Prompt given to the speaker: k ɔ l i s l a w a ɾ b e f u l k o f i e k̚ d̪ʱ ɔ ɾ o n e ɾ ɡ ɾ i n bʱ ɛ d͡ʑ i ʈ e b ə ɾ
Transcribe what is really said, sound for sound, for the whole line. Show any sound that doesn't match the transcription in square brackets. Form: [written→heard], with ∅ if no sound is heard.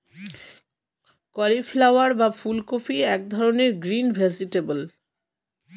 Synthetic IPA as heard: k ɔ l i [s→f] l a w a ɾ b [e→a] f u l k o f i [e→ɛ] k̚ d̪ʱ ɔ ɾ o n e ɾ ɡ ɾ i n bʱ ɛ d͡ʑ i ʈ e b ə [ɾ→l]